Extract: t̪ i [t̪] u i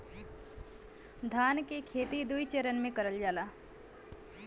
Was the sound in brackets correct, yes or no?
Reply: no